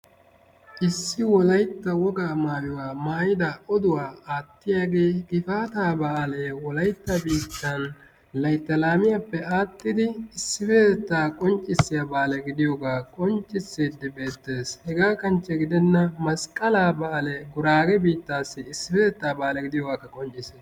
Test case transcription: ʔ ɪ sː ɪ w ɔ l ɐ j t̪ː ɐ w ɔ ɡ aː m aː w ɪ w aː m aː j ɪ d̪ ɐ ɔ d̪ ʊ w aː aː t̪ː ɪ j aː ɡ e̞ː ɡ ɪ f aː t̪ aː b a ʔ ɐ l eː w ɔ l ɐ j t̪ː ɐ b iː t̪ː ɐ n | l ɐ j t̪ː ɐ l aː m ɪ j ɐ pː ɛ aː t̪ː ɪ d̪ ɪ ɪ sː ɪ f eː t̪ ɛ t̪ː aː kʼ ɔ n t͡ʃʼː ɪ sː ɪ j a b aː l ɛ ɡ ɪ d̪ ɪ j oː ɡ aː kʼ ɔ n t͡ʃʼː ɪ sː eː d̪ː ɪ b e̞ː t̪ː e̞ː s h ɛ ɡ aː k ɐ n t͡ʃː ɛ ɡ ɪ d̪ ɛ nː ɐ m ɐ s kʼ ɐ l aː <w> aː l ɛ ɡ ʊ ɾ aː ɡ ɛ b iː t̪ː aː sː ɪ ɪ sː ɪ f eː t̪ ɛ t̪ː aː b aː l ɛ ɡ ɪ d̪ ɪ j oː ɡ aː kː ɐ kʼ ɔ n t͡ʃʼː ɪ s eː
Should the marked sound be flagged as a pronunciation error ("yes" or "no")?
yes